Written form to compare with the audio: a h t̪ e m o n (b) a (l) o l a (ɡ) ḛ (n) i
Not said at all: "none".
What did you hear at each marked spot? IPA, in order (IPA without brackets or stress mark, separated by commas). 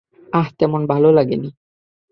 b, l, ɡ, n